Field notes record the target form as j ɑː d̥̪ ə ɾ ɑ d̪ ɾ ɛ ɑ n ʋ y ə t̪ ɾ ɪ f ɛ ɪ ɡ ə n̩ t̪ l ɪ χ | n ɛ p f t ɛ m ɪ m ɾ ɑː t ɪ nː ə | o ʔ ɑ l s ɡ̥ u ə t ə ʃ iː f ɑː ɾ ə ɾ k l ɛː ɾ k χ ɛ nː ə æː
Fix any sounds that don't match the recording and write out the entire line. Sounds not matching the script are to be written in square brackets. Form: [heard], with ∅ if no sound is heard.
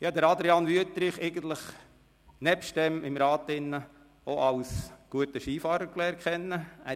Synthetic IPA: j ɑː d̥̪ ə ɾ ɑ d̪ ɾ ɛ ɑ n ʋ y ə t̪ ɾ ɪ [χ] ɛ ɪ ɡ ə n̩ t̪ l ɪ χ | n ɛ p [ʃ] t ɛ m ɪ m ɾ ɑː t ɪ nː ə | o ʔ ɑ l s ɡ̥ u ə t ə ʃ iː f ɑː ɾ ə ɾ k l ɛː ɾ k χ ɛ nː ə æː